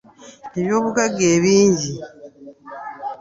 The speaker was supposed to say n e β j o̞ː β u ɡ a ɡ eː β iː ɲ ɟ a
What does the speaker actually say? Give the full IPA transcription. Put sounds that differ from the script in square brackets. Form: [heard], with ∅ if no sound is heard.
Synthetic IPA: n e β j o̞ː β u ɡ a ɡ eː β iː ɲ ɟ [i]

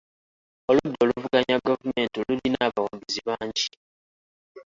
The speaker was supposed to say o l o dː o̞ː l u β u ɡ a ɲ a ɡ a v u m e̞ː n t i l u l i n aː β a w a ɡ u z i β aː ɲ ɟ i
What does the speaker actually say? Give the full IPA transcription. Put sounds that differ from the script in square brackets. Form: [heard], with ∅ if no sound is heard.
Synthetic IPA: o l [u] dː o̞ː l u [v] u ɡ a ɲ a ɡ a v u m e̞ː n t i l u l i n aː β a w a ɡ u z i β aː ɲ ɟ i

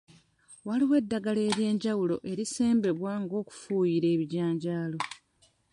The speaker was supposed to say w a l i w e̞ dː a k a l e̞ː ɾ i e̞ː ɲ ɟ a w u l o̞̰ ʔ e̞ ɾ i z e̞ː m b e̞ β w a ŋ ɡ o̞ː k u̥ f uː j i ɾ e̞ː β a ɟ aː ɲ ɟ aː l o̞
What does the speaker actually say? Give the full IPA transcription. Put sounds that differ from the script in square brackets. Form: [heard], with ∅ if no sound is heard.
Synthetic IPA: w a l i w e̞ dː a [ɡ] a l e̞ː ɾ [j] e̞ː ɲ ɟ a w u l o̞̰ ʔ e̞ ɾ i [s] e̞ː m b e̞ β w a ŋ ɡ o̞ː k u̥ f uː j i ɾ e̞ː β [i] ɟ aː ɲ ɟ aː l o̞

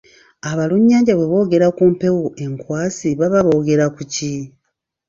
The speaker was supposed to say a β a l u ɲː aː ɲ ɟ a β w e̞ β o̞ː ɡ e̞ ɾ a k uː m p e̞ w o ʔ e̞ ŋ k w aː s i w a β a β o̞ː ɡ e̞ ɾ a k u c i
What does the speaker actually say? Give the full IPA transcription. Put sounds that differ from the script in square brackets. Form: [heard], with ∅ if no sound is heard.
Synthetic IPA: a β a l u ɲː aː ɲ ɟ a β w e̞ β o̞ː ɡ e̞ ɾ a k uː m p e̞ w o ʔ e̞ ŋ k w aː s i [β] a β a β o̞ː ɡ e̞ ɾ a k u c i

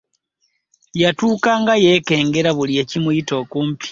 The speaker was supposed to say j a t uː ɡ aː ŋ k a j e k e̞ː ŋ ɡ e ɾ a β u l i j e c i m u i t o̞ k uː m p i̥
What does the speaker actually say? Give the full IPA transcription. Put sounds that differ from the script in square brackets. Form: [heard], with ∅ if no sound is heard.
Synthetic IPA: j a t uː [k] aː ŋ [ɡ] a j e k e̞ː ŋ ɡ e ɾ a β u l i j e c i m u i t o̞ k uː m p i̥

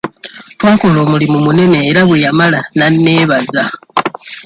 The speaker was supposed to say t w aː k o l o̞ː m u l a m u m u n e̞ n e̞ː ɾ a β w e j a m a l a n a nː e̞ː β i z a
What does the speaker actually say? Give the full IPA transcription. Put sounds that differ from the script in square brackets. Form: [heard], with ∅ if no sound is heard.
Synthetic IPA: t w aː k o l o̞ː m u l [i] m u m u n e̞ n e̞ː ɾ a β w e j a m a l a n a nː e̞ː β [a] z a

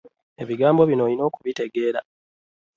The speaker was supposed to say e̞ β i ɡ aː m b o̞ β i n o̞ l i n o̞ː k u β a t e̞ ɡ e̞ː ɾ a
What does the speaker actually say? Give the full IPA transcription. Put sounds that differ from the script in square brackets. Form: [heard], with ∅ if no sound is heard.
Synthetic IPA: e̞ β i ɡ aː m b o̞ β i n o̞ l i n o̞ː k u β [i] t e̞ ɡ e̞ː ɾ a

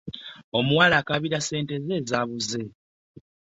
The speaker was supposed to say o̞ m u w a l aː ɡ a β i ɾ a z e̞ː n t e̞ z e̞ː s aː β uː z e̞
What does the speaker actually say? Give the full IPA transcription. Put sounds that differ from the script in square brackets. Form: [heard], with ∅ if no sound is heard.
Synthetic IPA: o̞ m u w a l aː [k] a β i ɾ a [s] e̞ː n t e̞ z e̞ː [z] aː β [u] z e̞

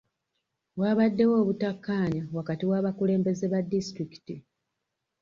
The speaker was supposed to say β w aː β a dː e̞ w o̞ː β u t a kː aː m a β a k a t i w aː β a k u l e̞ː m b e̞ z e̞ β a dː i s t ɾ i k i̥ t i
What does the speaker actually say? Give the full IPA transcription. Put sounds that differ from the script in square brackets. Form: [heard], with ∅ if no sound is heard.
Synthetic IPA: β w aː β a dː e̞ w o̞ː β u t a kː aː [ɲ] a [w] a k a t i w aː β a k u l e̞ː m b e̞ z e̞ β a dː i s t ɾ i k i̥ t i

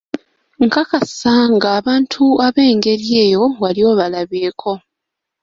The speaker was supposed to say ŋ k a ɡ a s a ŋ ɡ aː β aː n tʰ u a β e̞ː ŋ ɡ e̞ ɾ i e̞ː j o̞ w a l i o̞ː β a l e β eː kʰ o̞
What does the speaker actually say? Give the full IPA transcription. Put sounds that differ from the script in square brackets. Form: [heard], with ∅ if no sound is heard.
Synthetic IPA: ŋ k a [k] a s a ŋ ɡ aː β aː n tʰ u a β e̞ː ŋ ɡ e̞ ɾ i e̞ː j o̞ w a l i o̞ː β a l [a] β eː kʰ o̞

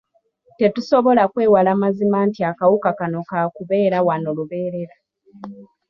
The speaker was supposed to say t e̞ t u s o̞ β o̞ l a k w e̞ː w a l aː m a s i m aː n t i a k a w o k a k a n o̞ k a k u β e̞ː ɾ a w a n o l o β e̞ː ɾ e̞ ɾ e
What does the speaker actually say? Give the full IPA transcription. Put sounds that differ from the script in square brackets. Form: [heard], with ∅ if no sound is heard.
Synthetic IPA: t e̞ t u s o̞ β o̞ l a k w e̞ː w a l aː m a [z] i m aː n t i a k a w [u] k a k a n o̞ k a k u β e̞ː ɾ a w a n o l [u] β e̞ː ɾ e̞ ɾ [a]

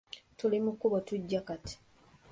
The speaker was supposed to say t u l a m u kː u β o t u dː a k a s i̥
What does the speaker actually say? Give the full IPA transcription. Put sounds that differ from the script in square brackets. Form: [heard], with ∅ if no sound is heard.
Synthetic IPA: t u l [i] m u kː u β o t u [ɟː] a k a [t] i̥

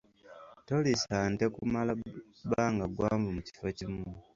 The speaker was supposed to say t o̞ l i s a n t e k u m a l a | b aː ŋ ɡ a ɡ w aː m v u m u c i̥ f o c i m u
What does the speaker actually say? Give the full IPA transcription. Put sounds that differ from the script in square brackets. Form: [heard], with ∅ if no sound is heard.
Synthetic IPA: t o̞ l i s a n t e k u m a l a | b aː ŋ ɡ a ɡ w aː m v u m u c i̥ f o c i m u

